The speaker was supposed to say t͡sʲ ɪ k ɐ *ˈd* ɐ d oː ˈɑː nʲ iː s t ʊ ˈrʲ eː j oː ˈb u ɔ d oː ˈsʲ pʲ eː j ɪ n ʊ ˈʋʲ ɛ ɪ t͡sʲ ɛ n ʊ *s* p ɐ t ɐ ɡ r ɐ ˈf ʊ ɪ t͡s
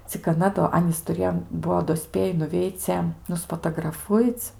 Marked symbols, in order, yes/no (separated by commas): no, yes